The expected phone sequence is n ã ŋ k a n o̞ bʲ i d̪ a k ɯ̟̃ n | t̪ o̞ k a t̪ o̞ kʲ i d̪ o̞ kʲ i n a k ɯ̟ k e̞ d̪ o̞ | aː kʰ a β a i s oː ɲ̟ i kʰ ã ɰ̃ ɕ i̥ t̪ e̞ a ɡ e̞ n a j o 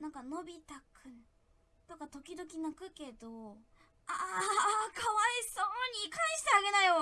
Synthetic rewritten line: n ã ŋ k a n o̞ bʲ i t̪ a k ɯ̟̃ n | t̪ o̞ k a t̪ o̞ kʲ i d̪ o̞ kʲ i n a k ɯ̟ k e̞ d̪ o̞ | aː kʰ a β a i s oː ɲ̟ i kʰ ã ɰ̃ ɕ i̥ t̪ e̞ a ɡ e̞ n a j o